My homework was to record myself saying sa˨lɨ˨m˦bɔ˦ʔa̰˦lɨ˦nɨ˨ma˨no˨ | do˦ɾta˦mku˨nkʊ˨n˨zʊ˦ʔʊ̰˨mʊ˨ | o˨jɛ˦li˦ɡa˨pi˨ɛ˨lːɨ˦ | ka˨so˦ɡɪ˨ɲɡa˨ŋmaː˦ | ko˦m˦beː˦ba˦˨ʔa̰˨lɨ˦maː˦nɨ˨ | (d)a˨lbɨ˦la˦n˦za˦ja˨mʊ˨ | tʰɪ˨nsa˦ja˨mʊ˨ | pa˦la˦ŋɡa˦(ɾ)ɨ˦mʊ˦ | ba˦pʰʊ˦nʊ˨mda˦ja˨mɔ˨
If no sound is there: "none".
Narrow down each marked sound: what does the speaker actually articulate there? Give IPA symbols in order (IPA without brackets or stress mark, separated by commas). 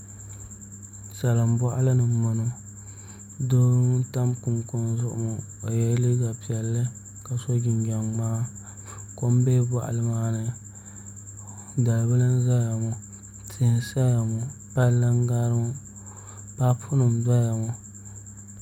d, ɾ